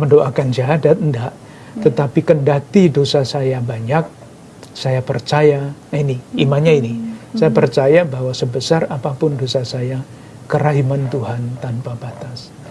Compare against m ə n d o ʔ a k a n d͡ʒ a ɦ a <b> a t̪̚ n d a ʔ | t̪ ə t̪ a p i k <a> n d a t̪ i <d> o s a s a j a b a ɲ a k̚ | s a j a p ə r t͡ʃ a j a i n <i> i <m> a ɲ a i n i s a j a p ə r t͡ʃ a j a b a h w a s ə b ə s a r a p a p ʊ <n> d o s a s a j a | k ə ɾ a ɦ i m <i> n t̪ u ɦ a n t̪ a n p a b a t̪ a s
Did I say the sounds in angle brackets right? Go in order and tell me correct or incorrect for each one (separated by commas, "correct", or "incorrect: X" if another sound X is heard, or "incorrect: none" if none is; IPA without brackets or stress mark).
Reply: incorrect: d, incorrect: ə, correct, correct, correct, correct, incorrect: a